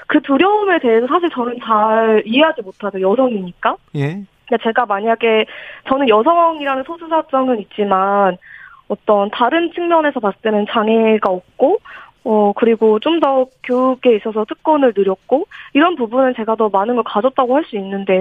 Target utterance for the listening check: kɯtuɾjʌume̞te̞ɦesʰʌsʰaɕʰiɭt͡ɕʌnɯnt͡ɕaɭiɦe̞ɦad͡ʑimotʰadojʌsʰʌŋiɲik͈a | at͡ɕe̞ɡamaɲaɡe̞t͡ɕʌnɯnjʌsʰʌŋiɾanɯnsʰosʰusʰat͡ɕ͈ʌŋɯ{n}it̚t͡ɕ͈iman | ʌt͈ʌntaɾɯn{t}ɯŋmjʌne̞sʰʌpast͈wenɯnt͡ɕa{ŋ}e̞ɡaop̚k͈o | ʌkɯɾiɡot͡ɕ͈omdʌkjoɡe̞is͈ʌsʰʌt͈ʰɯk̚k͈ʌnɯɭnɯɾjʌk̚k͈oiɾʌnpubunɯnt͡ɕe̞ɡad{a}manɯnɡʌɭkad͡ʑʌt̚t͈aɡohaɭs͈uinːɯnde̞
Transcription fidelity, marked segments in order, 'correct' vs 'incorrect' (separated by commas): correct, incorrect, correct, incorrect